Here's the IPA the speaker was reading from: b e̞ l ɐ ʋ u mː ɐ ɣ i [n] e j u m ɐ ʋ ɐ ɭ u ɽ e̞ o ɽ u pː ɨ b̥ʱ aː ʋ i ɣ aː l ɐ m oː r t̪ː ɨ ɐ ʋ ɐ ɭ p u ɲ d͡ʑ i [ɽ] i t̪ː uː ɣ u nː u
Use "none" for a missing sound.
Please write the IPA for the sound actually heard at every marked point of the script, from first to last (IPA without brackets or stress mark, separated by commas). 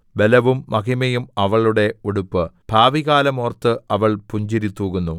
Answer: m, ɾ